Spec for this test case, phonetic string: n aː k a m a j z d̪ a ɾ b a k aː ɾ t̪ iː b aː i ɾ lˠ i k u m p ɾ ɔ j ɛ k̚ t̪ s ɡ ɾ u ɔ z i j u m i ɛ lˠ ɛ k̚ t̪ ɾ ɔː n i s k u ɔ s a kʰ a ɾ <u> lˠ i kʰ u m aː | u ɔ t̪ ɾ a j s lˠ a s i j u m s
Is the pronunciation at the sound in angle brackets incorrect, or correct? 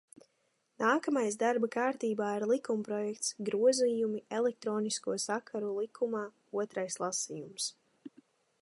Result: correct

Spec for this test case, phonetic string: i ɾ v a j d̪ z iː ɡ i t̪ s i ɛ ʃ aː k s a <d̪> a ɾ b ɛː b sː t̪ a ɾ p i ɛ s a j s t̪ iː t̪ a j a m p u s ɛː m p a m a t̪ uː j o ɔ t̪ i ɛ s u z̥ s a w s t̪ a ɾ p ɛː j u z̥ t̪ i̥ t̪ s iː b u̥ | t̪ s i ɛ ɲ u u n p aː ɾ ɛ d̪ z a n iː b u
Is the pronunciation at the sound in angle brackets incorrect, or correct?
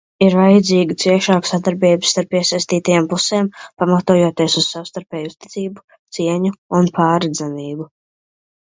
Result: correct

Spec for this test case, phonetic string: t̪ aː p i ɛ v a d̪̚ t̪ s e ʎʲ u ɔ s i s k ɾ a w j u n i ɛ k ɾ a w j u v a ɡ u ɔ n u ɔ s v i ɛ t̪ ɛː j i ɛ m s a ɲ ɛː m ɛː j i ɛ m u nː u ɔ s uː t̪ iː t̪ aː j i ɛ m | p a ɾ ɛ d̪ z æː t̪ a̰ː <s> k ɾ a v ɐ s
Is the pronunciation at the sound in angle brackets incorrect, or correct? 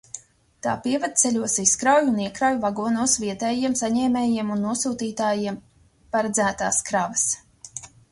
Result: correct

